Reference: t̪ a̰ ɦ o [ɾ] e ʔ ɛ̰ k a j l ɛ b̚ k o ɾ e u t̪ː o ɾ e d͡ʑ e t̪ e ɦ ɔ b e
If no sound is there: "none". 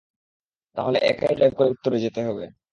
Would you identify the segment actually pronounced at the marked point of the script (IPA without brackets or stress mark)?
l